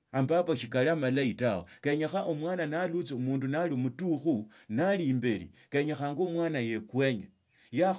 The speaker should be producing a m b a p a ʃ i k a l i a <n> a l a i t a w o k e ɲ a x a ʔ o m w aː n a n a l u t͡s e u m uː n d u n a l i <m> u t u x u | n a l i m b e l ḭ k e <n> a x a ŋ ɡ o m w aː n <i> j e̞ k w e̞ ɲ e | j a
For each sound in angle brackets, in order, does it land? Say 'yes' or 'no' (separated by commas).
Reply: no, yes, no, no